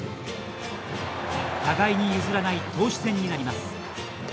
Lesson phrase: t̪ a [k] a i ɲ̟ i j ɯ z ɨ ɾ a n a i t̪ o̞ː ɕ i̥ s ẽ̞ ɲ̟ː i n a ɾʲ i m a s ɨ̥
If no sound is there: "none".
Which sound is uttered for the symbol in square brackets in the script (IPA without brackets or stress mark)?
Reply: ɡ